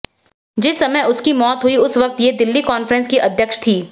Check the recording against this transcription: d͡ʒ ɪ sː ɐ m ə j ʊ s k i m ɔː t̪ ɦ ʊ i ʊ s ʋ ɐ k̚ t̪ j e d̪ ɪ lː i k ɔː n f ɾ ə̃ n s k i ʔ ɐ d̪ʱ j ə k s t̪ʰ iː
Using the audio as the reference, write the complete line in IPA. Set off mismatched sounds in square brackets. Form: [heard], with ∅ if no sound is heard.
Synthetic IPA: d͡ʒ ɪ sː ɐ m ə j ʊ s k i m ɔː t̪ ɦ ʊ i ʊ s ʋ ɐ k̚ t̪ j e d̪ ɪ lː i k ɔː n f ɾ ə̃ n s k i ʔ ɐ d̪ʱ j ə k [ʃ] t̪ʰ iː

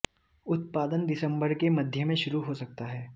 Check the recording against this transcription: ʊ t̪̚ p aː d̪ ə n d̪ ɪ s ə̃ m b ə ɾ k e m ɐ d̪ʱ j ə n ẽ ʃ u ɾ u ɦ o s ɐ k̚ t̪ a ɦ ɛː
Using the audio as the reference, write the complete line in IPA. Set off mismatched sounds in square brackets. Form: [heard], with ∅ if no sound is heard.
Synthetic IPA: ʊ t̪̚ p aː d̪ ə n d̪ ɪ s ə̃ m b ə ɾ k e m ɐ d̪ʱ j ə [m] ẽ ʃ [ʊ] ɾ u ɦ o s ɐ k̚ t̪ a ɦ ɛː

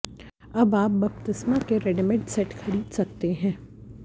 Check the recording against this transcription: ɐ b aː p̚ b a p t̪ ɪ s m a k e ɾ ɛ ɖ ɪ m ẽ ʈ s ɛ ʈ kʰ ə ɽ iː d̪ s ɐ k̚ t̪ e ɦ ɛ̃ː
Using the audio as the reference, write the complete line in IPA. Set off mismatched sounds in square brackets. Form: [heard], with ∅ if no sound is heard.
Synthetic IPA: ɐ b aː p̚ b [ɐ] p t̪ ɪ s m a k e ɾ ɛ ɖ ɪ m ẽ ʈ s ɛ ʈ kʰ [ɐ] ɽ iː d̪ s ɐ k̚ t̪ e ɦ ɛ̃ː

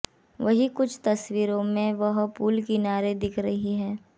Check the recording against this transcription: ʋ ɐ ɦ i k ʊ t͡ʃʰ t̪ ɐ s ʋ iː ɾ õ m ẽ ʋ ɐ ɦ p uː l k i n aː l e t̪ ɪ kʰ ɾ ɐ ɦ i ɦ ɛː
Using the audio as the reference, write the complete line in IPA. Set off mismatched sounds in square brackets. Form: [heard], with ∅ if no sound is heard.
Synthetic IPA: ʋ ɐ ɦ i k ʊ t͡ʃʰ t̪ ɐ s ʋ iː ɾ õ m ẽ ʋ ɐ ɦ p uː l k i n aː [ɾ] e [d̪] ɪ kʰ ɾ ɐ ɦ i ɦ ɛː

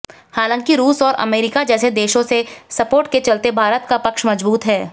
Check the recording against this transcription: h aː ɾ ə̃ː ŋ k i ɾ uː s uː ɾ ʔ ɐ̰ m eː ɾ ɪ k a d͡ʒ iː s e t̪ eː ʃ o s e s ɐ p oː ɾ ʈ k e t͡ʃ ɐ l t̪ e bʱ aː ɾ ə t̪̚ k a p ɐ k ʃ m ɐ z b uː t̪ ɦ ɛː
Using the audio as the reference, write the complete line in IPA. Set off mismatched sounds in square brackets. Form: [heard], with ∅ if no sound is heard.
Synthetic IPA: h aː [l] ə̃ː ŋ k i ɾ uː s [ɔː] ɾ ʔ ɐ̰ m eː ɾ ɪ k a d͡ʒ [ɛː] s e [d̪] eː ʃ [õ] s e s ɐ p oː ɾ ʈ k e t͡ʃ ɐ l t̪ e bʱ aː ɾ ə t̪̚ k a p ɐ k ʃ m ɐ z b uː t̪ ɦ ɛː

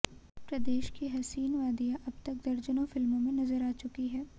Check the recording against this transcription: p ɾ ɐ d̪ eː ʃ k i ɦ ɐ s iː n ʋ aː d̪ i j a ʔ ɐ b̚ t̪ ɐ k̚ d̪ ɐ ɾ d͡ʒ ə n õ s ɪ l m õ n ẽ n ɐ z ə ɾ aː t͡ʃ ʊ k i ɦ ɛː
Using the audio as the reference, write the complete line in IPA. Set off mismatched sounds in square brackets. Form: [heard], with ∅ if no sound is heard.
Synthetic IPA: p ɾ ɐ d̪ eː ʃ k i ɦ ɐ s iː n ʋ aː d̪ i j a ʔ ɐ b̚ t̪ ɐ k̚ d̪ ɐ ɾ d͡ʒ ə n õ [f] ɪ l m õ [m] ẽ n ɐ z ə ɾ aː t͡ʃ ʊ k i ɦ ɛː

